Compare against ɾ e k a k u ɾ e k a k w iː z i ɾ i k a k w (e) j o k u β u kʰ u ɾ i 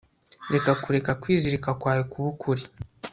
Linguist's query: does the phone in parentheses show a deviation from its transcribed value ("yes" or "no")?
yes